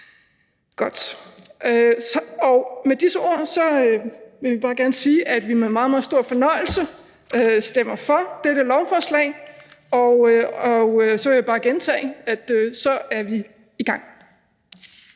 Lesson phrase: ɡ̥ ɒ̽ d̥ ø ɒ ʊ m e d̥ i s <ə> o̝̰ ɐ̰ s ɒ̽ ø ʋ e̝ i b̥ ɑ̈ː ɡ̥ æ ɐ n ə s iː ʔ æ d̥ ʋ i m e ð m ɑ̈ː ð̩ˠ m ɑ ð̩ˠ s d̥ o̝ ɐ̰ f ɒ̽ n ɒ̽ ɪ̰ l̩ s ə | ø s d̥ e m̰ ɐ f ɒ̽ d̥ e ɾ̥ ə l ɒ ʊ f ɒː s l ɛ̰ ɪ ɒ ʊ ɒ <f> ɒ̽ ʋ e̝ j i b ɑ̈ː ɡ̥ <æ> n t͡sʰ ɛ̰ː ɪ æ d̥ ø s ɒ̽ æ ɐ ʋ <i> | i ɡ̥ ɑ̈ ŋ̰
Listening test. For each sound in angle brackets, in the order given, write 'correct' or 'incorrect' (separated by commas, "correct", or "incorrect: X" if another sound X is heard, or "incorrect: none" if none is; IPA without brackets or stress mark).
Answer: correct, incorrect: s, incorrect: e, correct